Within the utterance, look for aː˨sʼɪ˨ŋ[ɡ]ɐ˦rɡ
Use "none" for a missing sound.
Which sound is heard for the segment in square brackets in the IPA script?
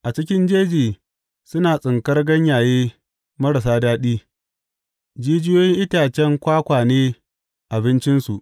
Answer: k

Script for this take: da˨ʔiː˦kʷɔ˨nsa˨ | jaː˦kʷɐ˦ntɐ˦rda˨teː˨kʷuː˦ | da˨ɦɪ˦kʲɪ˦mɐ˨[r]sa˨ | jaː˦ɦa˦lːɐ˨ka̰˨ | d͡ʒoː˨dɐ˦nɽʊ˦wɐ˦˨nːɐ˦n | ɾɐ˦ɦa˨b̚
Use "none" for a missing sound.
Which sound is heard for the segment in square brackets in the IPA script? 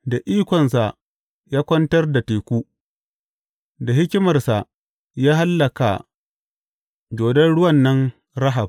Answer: r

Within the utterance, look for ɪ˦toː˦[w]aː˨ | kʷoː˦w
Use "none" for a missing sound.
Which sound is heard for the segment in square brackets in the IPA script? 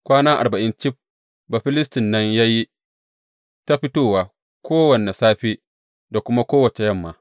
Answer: w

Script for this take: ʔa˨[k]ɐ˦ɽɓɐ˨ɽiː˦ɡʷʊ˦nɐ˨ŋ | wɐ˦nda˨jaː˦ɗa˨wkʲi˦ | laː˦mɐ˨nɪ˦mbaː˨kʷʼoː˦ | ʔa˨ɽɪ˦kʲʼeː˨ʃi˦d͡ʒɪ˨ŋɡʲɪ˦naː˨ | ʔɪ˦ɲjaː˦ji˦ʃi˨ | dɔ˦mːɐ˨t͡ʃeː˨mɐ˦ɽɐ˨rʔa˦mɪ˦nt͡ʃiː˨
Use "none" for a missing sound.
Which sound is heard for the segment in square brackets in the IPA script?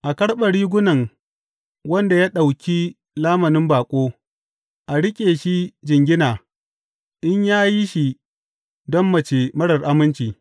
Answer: k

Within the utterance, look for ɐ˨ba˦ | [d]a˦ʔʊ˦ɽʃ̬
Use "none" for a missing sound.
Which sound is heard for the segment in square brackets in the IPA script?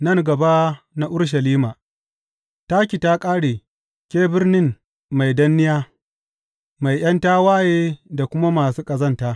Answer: n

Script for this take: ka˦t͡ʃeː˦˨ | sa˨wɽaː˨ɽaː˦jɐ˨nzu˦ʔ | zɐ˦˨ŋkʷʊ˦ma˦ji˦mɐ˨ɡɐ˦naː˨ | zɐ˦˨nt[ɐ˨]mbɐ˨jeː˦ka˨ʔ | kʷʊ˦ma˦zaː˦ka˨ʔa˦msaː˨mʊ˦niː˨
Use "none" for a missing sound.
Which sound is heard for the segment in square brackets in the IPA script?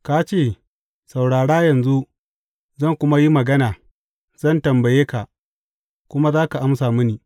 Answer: ɐ˨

